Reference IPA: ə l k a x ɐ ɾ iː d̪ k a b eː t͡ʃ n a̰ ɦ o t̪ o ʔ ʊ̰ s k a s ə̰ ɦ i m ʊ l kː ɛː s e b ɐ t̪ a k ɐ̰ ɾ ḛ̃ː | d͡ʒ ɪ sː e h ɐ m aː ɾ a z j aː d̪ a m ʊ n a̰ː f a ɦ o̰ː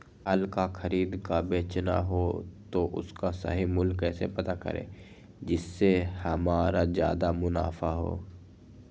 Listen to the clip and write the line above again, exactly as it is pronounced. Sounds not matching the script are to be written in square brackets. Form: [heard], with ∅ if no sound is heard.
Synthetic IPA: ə l k a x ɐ ɾ iː d̪ k a b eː t͡ʃ n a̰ ɦ o t̪ o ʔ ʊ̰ s k a s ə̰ ɦ i m ʊ l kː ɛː s e [p] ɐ t̪ a k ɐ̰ ɾ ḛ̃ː | d͡ʒ ɪ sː e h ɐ m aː ɾ a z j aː d̪ a m ʊ n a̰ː f a ɦ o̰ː